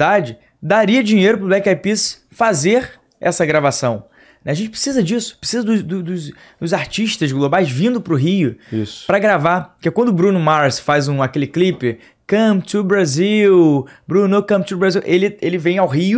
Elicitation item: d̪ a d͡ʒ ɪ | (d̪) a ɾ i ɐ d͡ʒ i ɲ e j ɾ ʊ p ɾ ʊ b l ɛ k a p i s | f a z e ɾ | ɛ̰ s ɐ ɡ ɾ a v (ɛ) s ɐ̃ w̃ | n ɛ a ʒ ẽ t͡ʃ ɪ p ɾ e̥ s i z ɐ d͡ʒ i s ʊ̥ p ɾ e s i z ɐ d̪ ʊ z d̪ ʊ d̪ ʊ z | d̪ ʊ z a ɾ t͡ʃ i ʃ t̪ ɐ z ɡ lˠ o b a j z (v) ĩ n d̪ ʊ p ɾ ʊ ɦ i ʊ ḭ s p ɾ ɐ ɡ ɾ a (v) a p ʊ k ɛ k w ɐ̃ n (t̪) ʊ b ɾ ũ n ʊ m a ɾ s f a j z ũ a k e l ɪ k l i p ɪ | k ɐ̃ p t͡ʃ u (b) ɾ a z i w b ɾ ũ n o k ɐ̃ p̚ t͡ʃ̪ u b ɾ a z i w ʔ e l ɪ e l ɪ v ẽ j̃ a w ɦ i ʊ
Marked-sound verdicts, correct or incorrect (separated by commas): correct, incorrect, correct, correct, incorrect, correct